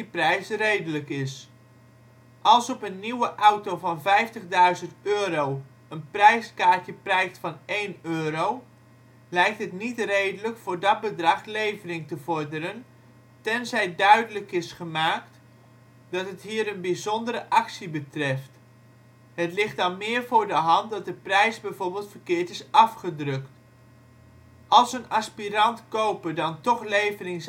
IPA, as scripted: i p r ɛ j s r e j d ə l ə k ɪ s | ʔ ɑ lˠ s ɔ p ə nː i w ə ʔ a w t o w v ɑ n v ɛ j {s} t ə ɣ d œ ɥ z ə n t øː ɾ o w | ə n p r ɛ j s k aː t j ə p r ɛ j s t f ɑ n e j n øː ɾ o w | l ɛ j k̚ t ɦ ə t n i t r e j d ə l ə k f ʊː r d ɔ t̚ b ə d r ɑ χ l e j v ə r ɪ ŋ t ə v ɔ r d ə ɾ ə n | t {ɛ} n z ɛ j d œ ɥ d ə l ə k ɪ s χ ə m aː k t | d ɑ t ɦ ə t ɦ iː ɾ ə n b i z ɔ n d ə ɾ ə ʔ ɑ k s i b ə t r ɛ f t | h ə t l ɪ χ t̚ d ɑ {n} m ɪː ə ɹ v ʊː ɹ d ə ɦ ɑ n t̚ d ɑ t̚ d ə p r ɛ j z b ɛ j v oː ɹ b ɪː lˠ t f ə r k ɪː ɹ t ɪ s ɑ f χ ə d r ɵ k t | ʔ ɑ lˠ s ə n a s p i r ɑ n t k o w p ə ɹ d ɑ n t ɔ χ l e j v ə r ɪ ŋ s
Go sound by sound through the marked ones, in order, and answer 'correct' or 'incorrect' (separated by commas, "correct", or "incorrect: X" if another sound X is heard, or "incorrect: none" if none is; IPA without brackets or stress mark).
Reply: incorrect: f, correct, correct